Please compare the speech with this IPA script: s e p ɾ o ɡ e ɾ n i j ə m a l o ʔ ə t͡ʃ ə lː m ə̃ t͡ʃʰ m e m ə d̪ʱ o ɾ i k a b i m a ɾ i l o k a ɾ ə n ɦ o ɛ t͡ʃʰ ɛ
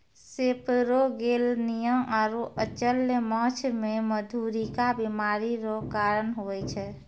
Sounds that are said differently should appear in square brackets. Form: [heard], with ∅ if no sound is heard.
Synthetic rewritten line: s e p ɾ o ɡ e [l] n i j ə m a [ɾ] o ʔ ə t͡ʃ ə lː m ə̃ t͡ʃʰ m e m ə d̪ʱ [u] ɾ i k a b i m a ɾ i [ɾ] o k a ɾ ə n ɦ o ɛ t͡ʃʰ ɛ